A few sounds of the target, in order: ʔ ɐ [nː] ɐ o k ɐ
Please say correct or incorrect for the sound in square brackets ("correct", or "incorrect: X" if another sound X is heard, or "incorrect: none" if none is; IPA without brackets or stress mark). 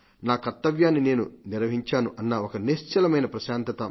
correct